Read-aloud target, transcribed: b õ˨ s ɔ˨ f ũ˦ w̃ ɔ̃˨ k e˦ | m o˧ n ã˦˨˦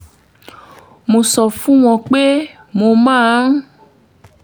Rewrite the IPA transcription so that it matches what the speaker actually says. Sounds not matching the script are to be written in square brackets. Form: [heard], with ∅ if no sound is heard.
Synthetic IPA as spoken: [m] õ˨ s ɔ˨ f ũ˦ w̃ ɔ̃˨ [k͡p] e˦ | m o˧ [m] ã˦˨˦